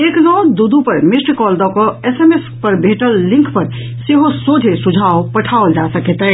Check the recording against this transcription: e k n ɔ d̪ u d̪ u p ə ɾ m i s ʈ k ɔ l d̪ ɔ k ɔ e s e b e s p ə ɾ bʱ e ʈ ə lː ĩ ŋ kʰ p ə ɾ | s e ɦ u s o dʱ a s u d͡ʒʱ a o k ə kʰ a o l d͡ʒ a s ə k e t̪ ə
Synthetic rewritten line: e k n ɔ d̪ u d̪ u p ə ɾ m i s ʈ k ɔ l d̪ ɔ k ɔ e s e m e s p ə ɾ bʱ e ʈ ə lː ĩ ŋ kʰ p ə ɾ | s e ɦ o s o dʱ e s u d͡ʒʱ a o p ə ʈʰ a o l d͡ʒ a s ə k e t̪ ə